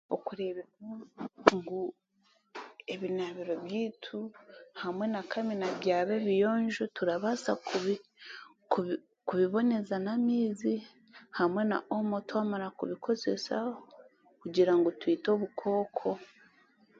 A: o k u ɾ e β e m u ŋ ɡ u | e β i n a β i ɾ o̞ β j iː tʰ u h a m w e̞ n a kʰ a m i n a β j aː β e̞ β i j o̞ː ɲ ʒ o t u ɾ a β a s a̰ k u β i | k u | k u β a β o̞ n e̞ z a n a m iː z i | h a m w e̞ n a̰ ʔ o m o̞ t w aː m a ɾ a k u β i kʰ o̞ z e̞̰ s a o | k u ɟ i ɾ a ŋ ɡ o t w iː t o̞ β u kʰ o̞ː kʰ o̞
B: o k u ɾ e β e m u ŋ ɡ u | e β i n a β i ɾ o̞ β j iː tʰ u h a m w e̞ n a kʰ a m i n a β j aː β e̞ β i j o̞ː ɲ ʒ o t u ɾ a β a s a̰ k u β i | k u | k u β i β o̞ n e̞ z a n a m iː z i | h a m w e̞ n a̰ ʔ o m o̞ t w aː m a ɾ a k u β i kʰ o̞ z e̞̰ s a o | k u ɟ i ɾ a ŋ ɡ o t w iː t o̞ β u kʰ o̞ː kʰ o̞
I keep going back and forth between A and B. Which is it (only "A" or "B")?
B